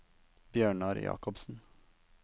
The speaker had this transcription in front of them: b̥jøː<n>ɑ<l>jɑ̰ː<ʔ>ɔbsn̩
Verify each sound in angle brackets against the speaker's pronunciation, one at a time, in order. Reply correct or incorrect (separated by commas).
incorrect, incorrect, incorrect